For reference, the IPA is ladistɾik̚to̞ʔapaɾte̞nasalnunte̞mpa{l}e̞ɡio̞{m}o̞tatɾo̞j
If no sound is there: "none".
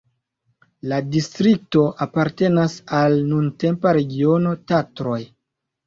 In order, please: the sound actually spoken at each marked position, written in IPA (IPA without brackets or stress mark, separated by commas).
ɾ, n